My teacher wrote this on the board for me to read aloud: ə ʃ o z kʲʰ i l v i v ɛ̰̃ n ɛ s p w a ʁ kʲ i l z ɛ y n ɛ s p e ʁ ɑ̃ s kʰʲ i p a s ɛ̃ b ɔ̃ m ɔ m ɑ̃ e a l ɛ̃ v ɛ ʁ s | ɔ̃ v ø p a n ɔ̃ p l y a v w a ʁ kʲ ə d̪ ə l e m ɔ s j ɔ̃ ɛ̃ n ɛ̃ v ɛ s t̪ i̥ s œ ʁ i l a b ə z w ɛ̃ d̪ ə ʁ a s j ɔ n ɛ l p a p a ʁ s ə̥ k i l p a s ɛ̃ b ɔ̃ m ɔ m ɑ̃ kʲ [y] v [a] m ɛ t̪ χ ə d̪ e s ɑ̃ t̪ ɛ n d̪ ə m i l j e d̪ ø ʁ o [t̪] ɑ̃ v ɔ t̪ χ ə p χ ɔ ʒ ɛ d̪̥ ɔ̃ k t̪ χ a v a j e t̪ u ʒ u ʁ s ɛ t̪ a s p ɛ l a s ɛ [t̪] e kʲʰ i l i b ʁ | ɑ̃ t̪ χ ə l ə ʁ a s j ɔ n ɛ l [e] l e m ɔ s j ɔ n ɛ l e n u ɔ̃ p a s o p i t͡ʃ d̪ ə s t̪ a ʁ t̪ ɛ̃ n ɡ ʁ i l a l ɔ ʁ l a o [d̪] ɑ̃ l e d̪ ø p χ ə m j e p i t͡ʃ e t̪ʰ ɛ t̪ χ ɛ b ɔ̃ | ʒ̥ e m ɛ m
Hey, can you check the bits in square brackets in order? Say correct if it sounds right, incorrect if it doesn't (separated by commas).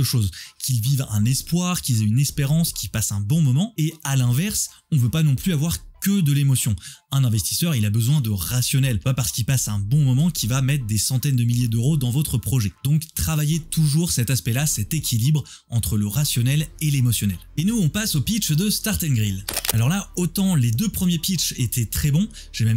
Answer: incorrect, correct, incorrect, correct, correct, incorrect